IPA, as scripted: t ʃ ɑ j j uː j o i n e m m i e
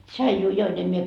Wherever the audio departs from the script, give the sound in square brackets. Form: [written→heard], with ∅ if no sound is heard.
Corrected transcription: t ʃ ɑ [j→i] j uː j o i n e m m i e

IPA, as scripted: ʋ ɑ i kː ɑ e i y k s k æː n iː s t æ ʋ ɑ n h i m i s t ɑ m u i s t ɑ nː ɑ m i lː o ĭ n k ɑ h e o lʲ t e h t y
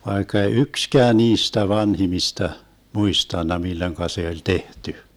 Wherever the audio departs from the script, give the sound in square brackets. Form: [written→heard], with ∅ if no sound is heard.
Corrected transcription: ʋ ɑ i kː ɑ e i y k s k æː n iː s t æ ʋ ɑ n h i m i s t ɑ m u i s t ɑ nː ɑ m i lː o ĭ [n→ŋ] k ɑ [h→s] e o lʲ t e h t y

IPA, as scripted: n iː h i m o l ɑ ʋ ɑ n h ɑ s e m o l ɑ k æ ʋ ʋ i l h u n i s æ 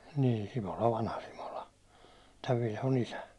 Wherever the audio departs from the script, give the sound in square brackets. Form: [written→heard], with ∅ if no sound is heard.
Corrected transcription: n iː [h→s] i m o l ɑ ʋ ɑ n h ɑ s [e→i] m o l ɑ [k→t] æ ʋ ʋ i l h [u→o] n i s æ

